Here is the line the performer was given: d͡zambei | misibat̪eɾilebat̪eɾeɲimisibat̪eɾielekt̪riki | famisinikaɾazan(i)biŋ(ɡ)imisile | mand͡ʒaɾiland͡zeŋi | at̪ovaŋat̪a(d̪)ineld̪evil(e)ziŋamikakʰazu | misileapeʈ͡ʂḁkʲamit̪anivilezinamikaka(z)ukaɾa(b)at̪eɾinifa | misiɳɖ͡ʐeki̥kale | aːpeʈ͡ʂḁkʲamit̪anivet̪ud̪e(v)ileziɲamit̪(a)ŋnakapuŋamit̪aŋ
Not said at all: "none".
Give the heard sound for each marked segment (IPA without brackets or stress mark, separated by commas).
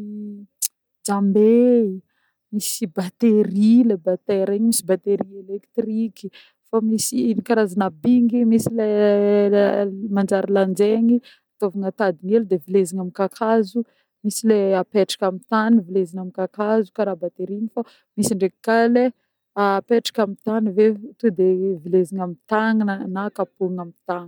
a, ɡ, d̪, e, z, b, v, a